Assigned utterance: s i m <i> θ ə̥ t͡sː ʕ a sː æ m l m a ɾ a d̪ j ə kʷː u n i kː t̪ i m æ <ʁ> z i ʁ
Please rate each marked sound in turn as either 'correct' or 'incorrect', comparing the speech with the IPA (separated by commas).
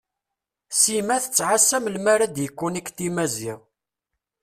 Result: incorrect, incorrect